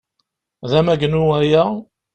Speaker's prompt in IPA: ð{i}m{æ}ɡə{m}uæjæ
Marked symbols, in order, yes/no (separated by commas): no, yes, no